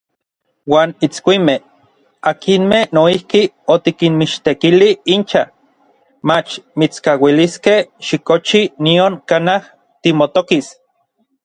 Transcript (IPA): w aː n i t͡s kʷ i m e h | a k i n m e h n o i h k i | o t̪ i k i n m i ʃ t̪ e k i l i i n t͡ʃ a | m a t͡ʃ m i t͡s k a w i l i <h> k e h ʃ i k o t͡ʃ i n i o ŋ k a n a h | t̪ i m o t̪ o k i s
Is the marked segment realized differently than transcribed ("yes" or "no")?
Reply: yes